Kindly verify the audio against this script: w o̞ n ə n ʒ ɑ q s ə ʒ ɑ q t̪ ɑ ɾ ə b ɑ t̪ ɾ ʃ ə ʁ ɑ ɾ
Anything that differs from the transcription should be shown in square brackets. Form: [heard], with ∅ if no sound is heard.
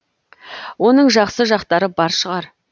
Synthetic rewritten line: w o̞ n ə [ɴ] ʒ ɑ q s ə ʒ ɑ q t̪ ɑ ɾ ə b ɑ [∅] ɾ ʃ ə ʁ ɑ ɾ